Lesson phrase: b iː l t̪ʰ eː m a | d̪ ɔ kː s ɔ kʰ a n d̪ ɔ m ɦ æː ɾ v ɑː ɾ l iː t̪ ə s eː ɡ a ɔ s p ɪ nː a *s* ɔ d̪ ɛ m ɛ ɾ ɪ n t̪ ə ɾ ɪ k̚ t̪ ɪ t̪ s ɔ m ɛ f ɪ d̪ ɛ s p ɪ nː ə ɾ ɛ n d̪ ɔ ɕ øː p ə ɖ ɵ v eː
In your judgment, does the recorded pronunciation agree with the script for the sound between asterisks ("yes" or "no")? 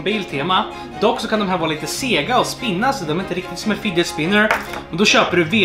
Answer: yes